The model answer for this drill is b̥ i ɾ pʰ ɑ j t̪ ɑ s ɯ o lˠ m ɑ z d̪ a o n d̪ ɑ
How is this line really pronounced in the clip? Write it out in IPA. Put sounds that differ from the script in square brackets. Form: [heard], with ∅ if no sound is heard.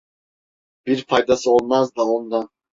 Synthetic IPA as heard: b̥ i ɾ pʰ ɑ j [d̪] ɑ s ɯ o lˠ m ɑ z d̪ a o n d̪ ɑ